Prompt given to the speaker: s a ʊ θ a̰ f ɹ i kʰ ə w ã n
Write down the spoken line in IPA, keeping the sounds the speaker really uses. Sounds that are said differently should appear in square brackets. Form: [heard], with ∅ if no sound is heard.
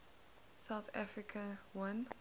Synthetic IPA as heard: s a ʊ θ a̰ f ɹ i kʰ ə w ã n